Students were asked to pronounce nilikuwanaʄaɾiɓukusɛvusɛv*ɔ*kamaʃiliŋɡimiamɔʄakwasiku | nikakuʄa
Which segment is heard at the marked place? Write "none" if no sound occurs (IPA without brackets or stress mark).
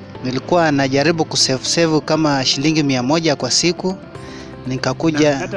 u